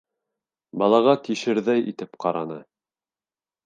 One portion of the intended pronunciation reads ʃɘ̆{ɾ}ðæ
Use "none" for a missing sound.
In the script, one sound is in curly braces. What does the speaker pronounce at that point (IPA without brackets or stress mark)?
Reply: ɾ